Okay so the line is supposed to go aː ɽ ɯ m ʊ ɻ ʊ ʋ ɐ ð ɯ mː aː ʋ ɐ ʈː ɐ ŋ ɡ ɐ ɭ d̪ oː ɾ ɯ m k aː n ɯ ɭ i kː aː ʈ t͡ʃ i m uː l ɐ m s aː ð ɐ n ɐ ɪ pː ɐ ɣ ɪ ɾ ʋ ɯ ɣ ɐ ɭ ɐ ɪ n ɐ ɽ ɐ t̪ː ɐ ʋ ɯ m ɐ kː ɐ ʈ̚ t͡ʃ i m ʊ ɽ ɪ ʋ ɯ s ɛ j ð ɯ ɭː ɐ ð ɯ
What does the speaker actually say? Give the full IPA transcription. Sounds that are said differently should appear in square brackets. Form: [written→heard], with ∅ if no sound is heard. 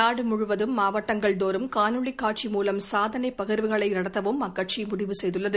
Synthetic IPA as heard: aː ɽ ɯ m ʊ ɻ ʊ ʋ ɐ ð ɯ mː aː ʋ ɐ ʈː ɐ ŋ ɡ ɐ ɭ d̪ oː ɾ ɯ m k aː n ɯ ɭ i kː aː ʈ t͡ʃ i m uː l ɐ m s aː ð ɐ n ɐ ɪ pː ɐ ɣ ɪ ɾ ʋ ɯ ɣ ɐ ɭ ɐ ɪ n ɐ ɽ ɐ t̪ː ɐ ʋ ɯ m ɐ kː ɐ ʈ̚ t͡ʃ i m ʊ ɽ ɪ ʋ ɯ s ɛ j ð ɯ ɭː ɐ ð ɯ